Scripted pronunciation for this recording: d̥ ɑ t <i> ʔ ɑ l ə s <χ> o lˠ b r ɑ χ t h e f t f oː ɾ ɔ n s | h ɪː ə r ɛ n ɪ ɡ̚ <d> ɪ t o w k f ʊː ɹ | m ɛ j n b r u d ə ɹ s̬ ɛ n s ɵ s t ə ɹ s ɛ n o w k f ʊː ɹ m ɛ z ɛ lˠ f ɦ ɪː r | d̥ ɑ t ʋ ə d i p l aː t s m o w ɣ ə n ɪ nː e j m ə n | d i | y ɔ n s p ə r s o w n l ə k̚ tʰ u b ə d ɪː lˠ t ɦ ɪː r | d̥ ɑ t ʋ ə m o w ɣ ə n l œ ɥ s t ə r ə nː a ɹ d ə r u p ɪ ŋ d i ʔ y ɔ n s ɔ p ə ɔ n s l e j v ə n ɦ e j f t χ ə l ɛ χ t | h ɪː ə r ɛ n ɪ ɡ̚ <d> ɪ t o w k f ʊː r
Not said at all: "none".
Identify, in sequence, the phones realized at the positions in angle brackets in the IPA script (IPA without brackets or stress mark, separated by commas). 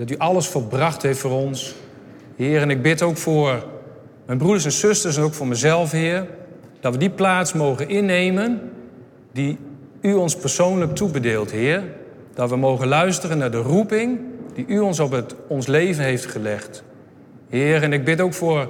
y, f, b, b